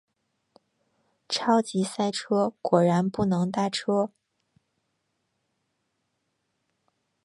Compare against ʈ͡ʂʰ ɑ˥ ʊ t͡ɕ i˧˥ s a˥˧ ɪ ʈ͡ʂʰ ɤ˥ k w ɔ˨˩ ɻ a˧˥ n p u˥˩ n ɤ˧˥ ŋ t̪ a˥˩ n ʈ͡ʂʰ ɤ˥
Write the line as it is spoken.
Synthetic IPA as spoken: ʈ͡ʂʰ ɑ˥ ʊ t͡ɕ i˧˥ s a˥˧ ɪ ʈ͡ʂʰ ɤ˥ k w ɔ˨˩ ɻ a˧˥ n p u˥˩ n ɤ˧˥ ŋ t̪ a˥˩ ʈ͡ʂʰ ɤ˥